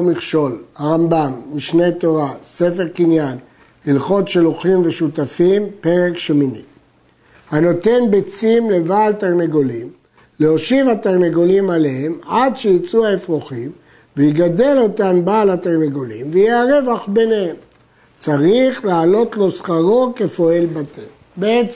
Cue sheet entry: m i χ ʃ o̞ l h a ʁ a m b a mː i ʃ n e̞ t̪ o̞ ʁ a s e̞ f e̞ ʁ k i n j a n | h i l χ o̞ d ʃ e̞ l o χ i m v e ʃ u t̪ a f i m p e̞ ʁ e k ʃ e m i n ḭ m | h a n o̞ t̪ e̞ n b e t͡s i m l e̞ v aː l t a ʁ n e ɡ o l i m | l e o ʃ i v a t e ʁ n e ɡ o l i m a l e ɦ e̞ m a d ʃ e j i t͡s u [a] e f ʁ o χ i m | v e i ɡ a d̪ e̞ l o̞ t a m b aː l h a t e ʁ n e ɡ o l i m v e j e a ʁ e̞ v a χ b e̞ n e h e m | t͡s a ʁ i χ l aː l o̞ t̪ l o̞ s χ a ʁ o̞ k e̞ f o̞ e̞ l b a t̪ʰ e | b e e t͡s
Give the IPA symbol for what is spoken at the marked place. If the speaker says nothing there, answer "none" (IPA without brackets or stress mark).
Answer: a